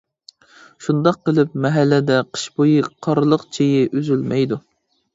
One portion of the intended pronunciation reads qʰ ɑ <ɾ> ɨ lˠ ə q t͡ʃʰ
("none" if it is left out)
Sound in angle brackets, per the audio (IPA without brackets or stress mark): ɾ